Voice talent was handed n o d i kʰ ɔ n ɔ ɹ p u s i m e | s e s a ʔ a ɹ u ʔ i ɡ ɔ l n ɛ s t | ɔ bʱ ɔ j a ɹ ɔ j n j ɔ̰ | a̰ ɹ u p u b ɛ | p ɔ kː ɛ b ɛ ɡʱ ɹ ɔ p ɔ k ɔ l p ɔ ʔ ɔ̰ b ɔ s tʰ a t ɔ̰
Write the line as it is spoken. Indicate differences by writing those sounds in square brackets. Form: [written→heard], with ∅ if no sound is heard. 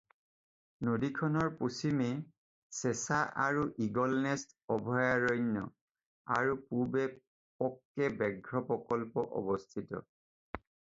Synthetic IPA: n o d i kʰ ɔ n ɔ ɹ p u s i m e | s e s a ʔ a ɹ u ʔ i ɡ ɔ l n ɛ s t | ɔ bʱ ɔ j a ɹ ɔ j n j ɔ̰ | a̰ ɹ u p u b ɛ | p ɔ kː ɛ b ɛ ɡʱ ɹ ɔ p ɔ k ɔ l p ɔ ʔ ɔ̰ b ɔ s tʰ [a→i] t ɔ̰